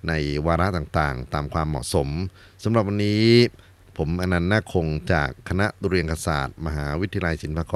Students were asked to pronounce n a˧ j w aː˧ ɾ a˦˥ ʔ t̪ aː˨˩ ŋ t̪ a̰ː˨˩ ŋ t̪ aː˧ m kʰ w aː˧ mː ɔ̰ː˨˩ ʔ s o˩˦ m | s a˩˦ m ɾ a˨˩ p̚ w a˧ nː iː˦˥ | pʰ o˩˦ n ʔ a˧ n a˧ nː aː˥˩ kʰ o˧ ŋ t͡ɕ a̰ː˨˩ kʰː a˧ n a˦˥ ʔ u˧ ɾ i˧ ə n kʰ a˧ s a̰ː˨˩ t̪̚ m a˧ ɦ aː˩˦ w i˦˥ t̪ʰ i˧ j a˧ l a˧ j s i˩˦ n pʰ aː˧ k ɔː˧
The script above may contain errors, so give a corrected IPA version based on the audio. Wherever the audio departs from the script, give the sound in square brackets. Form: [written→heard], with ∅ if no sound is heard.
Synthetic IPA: n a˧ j w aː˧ ɾ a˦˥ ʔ t̪ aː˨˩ ŋ t̪ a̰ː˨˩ ŋ t̪ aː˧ m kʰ w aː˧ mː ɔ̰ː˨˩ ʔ s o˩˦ m | s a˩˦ m ɾ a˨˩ p̚ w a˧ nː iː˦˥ | pʰ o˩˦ [n→m] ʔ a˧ n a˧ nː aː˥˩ kʰ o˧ ŋ t͡ɕ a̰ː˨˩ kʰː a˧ n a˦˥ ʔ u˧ ɾ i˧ ə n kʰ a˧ s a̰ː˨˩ t̪̚ m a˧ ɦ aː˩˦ w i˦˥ t̪ʰ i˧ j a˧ l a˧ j s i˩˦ n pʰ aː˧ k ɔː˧